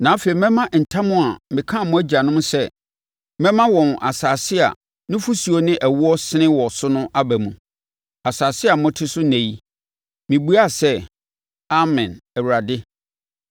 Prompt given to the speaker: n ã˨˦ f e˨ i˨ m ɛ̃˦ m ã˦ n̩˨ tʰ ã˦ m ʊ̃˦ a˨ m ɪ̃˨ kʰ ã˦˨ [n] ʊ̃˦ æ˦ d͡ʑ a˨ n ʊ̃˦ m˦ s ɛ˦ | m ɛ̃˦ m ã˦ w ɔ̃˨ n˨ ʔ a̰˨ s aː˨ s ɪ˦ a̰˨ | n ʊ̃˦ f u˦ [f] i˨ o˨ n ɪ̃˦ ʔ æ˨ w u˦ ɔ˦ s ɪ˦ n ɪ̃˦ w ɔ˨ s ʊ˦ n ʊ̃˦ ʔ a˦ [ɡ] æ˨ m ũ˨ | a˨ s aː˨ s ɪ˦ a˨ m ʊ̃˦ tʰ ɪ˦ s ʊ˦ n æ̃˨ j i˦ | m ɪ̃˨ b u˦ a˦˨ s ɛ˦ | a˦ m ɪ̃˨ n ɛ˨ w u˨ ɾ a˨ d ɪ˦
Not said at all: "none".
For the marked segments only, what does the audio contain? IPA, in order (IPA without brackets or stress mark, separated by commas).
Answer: m, s, b